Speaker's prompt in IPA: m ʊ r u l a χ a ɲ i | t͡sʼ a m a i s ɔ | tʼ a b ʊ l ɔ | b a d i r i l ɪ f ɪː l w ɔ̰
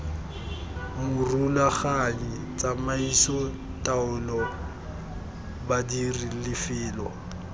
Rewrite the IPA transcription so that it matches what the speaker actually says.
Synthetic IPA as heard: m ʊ r u l a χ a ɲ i | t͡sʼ a m a i s ɔ | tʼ a ʊ l ɔ | b a d i r i l ɪ f ɪː l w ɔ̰

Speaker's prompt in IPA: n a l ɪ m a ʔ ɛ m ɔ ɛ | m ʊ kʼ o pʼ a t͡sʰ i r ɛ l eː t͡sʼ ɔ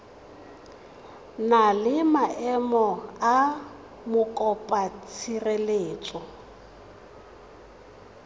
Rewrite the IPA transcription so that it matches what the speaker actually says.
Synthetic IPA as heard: n a l ɪ m a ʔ ɛ m ɔ a | m ʊ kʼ ɔ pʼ a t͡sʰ i r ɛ l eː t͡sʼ ɔ

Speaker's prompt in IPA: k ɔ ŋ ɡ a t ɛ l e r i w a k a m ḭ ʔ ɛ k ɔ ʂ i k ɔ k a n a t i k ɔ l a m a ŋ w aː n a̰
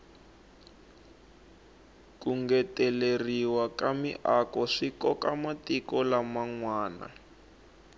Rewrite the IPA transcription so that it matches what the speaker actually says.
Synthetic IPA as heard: k u ŋ ɡ ɛ t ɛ l e r i w a k a m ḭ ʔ a k ɔ ʂ i k ɔ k a m a t i k ɔ l a m a ŋ w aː n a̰

